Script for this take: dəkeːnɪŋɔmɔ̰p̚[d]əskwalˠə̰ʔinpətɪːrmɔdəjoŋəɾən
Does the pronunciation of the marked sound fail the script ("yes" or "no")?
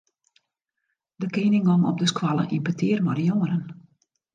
no